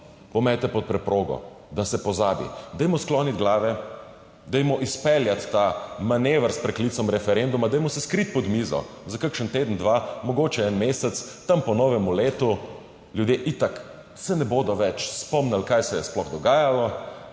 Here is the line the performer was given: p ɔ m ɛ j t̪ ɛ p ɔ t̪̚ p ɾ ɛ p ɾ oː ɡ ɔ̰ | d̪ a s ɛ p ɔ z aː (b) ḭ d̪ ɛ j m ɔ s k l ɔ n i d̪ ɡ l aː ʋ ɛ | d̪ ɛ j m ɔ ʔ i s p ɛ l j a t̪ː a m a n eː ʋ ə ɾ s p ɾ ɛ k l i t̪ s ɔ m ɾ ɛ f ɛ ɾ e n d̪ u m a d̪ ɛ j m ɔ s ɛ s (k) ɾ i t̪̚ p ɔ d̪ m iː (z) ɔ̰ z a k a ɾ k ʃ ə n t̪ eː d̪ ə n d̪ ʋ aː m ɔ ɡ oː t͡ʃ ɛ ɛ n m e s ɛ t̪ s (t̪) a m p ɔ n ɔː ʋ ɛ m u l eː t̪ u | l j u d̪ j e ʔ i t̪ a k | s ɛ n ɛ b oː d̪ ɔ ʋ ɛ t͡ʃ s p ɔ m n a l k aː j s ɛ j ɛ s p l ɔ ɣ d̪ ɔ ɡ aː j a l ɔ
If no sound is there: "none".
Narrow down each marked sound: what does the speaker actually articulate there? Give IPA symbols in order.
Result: b, k, z, t̪

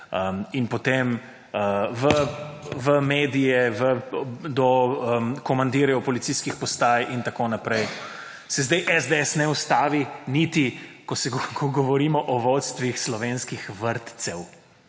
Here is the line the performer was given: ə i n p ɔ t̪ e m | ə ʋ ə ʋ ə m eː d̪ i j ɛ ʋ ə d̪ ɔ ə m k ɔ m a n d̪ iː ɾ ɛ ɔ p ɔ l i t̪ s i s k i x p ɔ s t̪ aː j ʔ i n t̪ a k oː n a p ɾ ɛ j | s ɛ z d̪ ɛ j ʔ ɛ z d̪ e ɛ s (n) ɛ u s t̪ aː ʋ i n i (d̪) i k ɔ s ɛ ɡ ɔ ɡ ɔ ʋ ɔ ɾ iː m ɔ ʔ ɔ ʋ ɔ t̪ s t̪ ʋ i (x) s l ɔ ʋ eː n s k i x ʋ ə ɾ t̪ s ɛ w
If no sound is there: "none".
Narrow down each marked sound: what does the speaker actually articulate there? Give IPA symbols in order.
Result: n, t̪, x

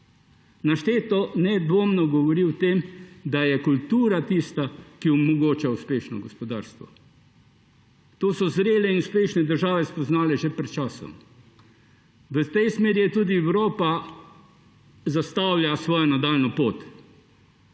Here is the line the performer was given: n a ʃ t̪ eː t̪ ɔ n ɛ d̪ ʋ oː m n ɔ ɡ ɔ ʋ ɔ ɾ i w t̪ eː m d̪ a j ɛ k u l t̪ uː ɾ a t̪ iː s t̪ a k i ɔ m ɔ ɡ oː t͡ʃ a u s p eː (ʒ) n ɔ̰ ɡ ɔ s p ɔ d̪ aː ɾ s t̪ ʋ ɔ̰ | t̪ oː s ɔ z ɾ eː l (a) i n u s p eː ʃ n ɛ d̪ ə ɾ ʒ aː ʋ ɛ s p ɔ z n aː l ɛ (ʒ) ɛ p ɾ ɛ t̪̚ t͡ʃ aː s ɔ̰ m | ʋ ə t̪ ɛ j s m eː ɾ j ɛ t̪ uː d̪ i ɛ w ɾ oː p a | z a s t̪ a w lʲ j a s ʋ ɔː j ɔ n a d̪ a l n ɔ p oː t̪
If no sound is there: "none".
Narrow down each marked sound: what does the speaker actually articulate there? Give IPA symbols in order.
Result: ʃ, ɛ, ʒ

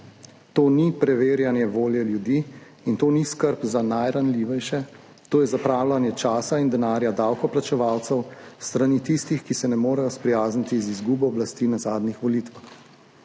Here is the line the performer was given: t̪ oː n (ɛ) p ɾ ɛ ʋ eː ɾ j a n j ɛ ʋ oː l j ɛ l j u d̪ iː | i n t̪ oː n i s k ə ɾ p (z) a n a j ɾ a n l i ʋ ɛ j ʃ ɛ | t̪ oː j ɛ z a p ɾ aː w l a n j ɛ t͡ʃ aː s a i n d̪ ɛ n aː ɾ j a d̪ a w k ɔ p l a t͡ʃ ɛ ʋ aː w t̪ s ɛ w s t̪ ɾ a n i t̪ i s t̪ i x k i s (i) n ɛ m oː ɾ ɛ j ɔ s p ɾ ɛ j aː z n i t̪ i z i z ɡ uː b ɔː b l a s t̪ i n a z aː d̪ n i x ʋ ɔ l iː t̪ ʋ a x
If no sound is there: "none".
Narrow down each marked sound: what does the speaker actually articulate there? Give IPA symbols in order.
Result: i, z, ɛ

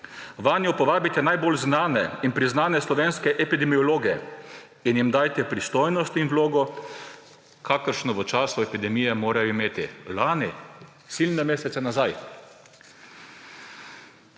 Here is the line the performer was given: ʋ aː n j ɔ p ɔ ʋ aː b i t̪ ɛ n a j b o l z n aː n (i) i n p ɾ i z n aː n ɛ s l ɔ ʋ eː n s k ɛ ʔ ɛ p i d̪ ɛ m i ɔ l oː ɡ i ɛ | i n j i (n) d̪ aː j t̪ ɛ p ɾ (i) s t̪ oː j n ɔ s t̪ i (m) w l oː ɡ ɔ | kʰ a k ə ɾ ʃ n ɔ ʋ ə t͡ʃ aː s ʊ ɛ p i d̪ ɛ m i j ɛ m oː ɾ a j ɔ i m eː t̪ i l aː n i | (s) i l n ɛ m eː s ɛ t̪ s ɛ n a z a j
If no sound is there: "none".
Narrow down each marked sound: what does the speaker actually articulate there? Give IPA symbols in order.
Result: ɛ, m, i, n, s

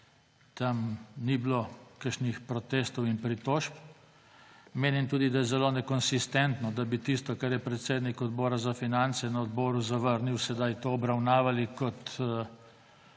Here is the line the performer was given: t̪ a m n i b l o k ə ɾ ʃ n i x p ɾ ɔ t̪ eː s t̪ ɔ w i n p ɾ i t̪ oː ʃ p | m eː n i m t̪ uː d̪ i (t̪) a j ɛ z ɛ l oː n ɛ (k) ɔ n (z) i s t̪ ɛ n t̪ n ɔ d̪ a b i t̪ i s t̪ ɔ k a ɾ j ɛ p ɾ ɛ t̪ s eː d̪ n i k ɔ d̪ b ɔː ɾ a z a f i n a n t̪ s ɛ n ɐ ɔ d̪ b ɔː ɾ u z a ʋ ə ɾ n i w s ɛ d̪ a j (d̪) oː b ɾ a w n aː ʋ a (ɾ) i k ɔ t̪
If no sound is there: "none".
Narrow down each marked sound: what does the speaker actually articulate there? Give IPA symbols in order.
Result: d̪, k, s, t̪, l

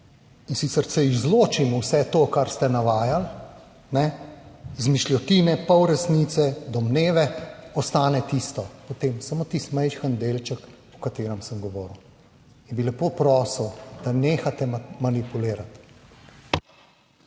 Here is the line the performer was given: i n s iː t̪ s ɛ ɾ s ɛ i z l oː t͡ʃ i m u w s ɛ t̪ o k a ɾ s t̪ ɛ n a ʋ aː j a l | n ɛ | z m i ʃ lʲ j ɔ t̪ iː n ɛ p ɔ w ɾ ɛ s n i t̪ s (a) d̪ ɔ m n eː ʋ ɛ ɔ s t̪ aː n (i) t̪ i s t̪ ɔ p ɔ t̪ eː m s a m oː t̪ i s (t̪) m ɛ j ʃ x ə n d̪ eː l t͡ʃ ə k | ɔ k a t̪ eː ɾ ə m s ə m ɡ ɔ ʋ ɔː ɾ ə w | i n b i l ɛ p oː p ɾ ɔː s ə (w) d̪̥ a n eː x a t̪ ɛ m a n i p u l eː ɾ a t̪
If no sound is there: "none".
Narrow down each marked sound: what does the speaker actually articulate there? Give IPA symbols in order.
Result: ɛ, ɛ, t̪, w

